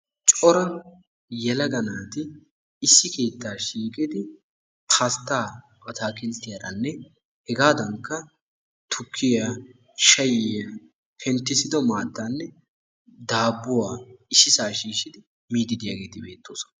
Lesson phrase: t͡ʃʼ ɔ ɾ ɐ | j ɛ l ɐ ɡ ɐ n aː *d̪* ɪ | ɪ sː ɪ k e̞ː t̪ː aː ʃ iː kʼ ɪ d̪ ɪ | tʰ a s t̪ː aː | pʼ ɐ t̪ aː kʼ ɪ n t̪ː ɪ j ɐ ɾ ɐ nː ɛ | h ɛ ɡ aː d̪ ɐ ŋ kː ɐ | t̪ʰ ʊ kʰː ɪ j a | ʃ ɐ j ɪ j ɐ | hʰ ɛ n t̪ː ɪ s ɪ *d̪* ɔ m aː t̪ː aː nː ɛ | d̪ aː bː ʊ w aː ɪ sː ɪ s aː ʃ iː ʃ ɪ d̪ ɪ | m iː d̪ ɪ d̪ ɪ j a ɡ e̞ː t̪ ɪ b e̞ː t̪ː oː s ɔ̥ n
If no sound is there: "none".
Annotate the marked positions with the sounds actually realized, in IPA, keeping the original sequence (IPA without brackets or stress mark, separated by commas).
t̪, d̪